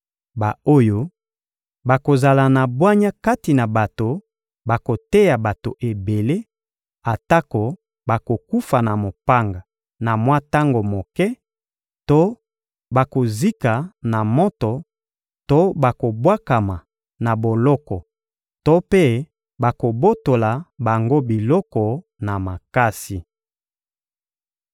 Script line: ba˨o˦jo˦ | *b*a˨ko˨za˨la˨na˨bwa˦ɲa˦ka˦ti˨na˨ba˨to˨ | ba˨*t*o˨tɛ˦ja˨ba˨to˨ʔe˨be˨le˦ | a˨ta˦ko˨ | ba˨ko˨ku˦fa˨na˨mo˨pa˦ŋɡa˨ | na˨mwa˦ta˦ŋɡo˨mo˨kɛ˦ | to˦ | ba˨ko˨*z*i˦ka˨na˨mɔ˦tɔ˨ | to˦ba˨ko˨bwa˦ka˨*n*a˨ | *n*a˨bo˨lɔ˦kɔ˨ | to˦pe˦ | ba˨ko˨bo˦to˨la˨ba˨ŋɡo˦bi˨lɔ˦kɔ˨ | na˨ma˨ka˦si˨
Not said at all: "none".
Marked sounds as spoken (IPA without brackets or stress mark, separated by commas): b, k, z, m, n